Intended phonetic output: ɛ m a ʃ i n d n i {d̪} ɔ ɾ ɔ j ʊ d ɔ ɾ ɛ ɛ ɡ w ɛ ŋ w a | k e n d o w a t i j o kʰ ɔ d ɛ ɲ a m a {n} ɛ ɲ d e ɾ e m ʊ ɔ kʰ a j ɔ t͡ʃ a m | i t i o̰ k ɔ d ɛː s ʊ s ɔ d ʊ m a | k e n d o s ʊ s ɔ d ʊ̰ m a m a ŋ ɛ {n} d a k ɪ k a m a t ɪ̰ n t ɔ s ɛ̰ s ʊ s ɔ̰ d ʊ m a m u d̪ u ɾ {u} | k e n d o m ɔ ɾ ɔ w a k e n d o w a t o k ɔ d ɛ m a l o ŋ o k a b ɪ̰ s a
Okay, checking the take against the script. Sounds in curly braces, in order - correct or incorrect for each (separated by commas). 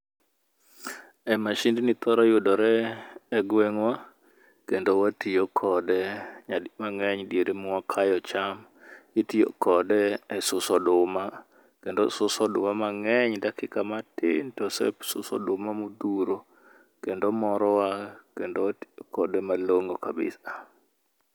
incorrect, incorrect, incorrect, incorrect